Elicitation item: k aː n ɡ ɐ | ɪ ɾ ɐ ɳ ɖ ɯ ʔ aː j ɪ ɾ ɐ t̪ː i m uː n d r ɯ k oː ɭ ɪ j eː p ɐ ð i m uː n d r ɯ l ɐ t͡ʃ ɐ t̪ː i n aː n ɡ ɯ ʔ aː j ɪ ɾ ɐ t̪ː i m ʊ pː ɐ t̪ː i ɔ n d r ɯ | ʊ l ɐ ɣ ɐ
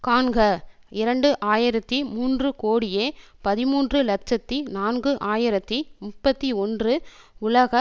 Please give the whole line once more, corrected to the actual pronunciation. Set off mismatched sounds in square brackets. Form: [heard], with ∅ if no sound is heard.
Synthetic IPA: k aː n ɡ ɐ | ɪ ɾ ɐ ɳ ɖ ɯ ʔ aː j ɪ ɾ ɐ t̪ː i m uː n d r ɯ k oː [ɽ] ɪ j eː p ɐ ð [ɪ] m uː n d r ɯ l ɐ t͡ʃ ɐ t̪ː i n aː n ɡ ɯ ʔ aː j ɪ ɾ ɐ t̪ː i m ʊ pː ɐ t̪ː i ɔ n d r ɯ | ʊ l ɐ ɣ ɐ

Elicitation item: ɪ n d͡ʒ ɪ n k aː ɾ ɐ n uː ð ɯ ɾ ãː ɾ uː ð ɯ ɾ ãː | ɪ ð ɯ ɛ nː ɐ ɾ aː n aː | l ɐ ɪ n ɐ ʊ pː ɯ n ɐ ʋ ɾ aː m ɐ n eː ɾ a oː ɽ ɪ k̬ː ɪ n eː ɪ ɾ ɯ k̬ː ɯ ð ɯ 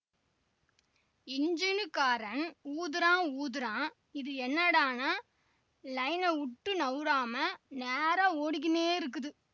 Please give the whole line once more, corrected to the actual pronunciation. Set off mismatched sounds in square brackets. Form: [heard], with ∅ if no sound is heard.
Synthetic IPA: ɪ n d͡ʒ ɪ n k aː ɾ ɐ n uː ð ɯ ɾ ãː [∅] uː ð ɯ ɾ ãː | ɪ ð ɯ ɛ nː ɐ [ɽ] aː n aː | l ɐ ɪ n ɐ ʊ [ʈː] ɯ n ɐ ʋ ɾ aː m ɐ n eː ɾ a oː ɽ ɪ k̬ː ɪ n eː ɪ ɾ ɯ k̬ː ɯ ð ɯ

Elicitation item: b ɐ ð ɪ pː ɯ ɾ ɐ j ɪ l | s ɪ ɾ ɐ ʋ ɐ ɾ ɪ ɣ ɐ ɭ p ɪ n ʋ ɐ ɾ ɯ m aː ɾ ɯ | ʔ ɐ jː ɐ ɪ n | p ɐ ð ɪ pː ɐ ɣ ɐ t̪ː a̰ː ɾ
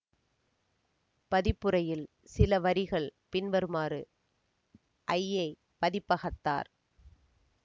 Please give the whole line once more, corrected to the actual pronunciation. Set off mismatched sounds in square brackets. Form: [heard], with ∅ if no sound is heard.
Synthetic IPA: [p] ɐ ð ɪ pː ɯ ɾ ɐ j ɪ l | s ɪ [l] ɐ ʋ ɐ ɾ ɪ ɣ ɐ ɭ p ɪ n ʋ ɐ ɾ ɯ m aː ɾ ɯ | ʔ ɐ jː ɐ ɪ [∅] | p ɐ ð ɪ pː ɐ ɣ ɐ t̪ː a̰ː ɾ

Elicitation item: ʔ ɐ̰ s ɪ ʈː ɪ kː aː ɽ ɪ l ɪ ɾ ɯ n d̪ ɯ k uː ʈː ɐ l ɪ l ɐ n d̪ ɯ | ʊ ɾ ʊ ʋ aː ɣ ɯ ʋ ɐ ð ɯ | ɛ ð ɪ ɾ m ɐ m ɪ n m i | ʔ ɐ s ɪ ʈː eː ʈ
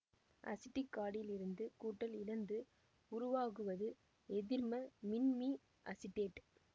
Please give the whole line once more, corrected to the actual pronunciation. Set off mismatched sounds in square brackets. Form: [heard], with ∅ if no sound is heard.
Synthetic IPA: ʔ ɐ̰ s ɪ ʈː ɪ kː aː ɽ ɪ l ɪ ɾ ɯ n d̪ ɯ k uː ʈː ɐ l ɪ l ɐ n d̪ ɯ | ʊ ɾ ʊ ʋ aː ɣ ɯ ʋ ɐ ð ɯ | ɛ ð ɪ ɾ m ɐ m ɪ n m i | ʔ ɐ s ɪ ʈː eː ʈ

